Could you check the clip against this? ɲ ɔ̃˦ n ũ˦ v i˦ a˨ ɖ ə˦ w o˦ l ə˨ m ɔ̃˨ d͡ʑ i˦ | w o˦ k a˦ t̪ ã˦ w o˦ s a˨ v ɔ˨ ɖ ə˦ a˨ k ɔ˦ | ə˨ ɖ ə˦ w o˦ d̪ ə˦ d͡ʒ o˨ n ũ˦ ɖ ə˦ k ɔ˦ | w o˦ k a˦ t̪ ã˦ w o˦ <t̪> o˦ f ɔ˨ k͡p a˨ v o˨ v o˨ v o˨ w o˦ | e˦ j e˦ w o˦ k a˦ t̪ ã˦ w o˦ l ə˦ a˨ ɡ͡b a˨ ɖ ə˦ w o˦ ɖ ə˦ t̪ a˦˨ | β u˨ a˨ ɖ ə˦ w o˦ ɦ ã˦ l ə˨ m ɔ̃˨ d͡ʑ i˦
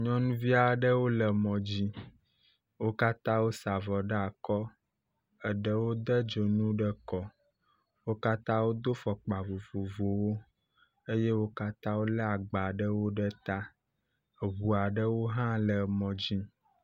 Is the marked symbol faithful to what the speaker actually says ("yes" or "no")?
no